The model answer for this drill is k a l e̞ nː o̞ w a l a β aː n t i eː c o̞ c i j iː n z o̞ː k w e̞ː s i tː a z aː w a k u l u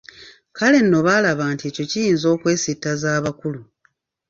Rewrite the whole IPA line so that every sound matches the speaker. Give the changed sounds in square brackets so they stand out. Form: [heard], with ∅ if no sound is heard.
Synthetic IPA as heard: k a l e̞ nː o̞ [β] a l a β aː n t i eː c o̞ c i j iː n z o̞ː k w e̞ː s i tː a z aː [β] a k u l u